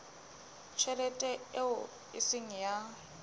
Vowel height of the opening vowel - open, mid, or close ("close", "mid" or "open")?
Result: mid